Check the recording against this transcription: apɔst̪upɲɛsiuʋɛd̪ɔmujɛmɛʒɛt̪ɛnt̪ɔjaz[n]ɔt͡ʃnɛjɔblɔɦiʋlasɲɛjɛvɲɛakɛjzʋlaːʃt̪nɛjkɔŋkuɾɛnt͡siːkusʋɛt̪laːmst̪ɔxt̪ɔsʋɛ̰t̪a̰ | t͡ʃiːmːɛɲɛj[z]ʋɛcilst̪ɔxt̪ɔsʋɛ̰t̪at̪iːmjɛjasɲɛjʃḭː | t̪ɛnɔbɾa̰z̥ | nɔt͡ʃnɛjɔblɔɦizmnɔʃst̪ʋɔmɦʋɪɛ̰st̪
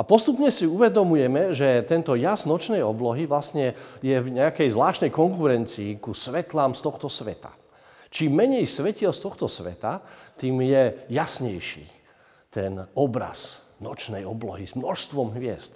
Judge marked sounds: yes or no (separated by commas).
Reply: yes, no